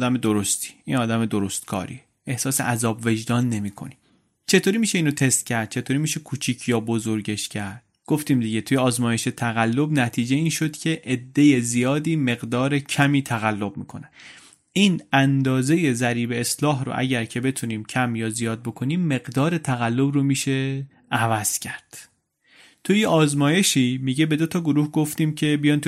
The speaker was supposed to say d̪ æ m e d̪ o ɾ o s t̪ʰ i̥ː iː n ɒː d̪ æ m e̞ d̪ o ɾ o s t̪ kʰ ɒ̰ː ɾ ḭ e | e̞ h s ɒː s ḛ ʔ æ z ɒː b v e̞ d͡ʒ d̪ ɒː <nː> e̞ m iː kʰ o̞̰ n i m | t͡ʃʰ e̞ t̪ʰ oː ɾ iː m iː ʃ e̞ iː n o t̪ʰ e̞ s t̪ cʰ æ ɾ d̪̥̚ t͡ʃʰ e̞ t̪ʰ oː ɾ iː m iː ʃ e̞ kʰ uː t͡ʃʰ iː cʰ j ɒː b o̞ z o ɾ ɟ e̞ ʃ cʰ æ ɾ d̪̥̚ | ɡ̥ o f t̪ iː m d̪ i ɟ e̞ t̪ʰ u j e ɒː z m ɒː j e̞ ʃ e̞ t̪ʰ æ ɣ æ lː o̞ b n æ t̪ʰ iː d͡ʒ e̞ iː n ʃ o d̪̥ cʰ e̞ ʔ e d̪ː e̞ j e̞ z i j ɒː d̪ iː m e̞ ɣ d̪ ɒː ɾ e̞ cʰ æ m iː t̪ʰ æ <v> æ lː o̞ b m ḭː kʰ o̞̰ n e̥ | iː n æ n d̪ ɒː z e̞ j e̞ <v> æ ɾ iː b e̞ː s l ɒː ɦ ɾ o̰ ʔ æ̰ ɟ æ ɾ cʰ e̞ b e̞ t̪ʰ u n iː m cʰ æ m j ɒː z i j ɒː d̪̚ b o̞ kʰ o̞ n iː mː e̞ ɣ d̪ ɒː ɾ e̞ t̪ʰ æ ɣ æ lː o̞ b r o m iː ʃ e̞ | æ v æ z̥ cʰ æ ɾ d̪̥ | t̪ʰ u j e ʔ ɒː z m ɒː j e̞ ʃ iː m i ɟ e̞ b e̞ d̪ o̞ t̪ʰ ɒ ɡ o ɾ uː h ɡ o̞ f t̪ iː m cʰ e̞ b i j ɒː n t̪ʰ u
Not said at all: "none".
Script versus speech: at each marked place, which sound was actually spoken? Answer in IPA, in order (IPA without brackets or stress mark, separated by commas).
nː, ɣ, z